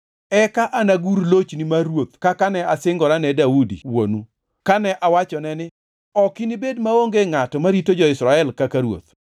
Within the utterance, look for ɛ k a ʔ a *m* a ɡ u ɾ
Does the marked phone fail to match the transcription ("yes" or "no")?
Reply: yes